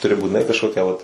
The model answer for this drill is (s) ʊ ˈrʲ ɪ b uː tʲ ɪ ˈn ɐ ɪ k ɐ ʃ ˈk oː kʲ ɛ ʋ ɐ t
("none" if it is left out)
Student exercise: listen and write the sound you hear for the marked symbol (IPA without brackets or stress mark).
t